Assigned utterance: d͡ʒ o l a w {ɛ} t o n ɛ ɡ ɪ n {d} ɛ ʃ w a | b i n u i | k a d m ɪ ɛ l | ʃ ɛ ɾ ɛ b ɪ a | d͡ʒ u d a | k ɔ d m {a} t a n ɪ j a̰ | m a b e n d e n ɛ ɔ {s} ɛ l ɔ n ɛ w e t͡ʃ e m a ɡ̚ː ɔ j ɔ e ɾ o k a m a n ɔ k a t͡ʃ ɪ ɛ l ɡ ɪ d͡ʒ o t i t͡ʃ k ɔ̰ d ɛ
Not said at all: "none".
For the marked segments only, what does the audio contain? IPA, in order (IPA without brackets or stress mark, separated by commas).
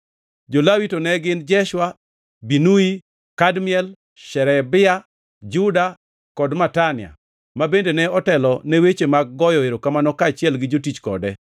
i, d͡ʒ, a, t